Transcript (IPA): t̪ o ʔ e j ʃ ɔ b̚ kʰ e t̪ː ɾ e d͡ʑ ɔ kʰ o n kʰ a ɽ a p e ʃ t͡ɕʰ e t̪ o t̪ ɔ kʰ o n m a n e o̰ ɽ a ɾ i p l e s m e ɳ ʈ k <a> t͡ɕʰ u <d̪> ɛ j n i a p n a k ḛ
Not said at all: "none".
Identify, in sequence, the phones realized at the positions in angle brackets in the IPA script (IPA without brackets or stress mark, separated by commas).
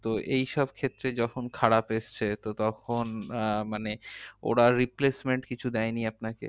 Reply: i, d̪